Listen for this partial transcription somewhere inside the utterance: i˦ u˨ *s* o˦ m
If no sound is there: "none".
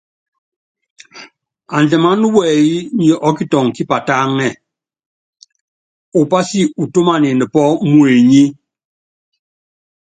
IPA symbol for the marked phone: t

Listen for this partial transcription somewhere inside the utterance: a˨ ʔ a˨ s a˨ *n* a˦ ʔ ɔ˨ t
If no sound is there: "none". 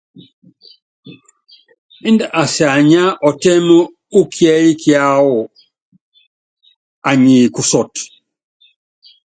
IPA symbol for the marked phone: ɲ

